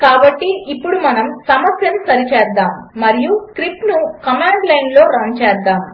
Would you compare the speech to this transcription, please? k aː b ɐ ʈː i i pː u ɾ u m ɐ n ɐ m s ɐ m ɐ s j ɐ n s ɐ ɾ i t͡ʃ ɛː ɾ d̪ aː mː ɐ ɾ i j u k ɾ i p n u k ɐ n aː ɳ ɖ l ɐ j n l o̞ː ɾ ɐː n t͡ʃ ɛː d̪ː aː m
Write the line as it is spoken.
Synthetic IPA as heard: k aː b ɐ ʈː i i pː u ɽ u m ɐ n ɐ m s ɐ m ɐ s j ɐ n s ɐ ɾ i t͡ʃ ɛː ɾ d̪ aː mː ɐ ɾ i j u k ɾ i p n u k ɐ m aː ɳ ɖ l ɐ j n l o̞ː ɾ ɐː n t͡ʃ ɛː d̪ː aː m